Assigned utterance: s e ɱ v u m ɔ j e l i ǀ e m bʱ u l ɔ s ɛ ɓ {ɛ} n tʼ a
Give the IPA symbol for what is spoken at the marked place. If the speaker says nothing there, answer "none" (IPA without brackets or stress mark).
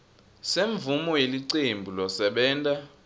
ɛː